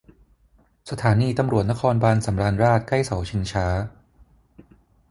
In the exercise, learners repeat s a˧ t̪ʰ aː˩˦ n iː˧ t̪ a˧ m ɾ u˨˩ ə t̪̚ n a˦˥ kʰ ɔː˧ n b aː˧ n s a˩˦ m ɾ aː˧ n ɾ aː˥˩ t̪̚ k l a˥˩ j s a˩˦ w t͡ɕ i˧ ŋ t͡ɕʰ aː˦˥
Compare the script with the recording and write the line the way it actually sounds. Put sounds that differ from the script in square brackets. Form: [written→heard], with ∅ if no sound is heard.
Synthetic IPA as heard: s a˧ t̪ʰ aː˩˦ n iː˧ t̪ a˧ m ɾ u˨˩ ə t̪̚ n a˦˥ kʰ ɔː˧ n b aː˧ n s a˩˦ m ɾ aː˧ n ɾ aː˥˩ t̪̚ k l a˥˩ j s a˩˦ w [t͡ɕ→t͡ɕʰ] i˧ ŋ t͡ɕʰ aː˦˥